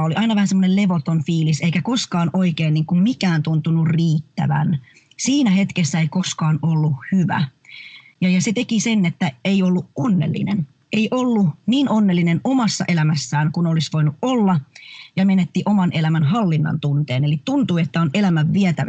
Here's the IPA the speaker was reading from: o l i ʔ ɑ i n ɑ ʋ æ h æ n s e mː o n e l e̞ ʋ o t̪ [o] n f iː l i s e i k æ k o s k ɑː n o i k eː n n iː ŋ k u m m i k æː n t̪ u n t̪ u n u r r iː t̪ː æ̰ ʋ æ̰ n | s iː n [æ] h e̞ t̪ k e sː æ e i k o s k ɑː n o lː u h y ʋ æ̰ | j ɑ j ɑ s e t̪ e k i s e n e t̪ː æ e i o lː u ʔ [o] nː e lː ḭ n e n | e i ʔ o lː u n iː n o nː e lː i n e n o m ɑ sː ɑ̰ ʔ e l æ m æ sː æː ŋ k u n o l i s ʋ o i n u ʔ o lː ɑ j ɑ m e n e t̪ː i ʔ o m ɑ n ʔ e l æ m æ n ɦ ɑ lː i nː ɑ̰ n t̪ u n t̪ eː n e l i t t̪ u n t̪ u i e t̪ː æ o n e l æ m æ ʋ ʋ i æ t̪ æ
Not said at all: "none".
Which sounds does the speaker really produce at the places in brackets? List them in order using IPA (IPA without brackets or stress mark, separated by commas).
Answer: o, æ, o